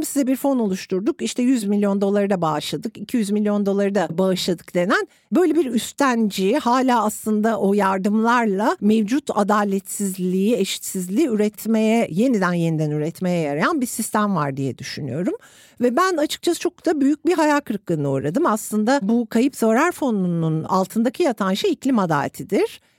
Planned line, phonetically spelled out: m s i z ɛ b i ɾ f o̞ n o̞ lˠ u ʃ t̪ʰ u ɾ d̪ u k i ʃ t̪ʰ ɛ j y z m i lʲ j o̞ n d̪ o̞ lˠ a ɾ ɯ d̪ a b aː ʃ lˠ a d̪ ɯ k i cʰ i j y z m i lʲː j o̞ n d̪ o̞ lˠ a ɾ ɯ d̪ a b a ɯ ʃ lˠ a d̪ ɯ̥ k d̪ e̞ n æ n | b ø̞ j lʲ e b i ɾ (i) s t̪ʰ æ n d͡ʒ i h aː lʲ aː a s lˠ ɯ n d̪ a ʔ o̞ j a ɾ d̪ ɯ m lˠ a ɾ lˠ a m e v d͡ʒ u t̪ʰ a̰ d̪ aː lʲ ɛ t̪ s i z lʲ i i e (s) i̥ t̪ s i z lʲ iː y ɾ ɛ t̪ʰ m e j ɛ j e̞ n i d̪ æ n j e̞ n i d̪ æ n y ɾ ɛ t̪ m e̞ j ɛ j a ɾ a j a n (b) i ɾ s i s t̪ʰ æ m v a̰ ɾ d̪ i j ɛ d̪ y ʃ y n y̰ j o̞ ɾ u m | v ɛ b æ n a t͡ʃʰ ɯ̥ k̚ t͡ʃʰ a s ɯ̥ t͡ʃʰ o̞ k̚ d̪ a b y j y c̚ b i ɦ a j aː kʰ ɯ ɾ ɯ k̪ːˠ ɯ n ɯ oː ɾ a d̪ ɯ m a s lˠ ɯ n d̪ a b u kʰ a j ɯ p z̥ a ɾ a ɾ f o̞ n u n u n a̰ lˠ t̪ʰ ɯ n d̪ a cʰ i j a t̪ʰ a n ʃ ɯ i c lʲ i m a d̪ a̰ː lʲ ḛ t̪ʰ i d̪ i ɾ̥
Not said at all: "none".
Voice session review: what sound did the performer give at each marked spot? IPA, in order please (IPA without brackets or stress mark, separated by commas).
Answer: y, ʃ, b